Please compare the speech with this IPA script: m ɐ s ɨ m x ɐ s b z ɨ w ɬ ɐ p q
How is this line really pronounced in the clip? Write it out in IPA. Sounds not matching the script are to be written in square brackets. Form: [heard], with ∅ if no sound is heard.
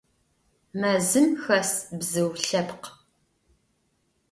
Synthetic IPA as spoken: m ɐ [z] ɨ m x ɐ s b z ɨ w ɬ ɐ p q